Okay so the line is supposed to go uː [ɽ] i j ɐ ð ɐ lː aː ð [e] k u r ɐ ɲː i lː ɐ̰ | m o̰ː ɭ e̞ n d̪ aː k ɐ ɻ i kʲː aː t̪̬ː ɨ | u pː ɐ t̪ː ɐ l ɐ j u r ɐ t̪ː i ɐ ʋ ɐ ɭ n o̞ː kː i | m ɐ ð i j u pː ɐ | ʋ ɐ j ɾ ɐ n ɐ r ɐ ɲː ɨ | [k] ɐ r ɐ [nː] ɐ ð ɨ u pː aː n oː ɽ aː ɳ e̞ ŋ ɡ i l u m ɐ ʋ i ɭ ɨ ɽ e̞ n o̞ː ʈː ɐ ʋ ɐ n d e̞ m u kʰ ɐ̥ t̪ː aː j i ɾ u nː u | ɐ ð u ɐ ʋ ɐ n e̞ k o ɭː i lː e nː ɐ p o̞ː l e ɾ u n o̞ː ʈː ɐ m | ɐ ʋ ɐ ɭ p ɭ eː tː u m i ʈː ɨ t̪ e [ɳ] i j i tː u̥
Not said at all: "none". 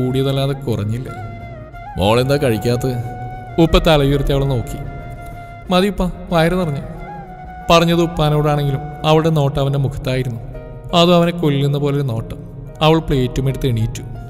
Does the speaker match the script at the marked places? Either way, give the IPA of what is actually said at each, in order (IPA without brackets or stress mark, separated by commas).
ɽ, e, p, ɲː, ɳ